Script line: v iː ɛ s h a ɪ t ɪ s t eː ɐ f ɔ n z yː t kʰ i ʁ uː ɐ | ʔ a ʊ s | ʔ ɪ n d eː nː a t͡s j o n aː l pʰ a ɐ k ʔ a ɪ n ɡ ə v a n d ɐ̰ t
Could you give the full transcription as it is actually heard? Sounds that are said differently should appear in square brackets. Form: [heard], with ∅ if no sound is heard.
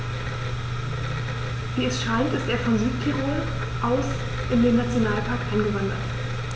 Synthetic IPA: v iː ɛ s [ʃ] a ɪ t ɪ s t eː ɐ f ɔ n z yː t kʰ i ʁ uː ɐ | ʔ a ʊ s | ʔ ɪ n d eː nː a t͡s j o n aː l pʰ a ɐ k ʔ a ɪ n ɡ ə v a n d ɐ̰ t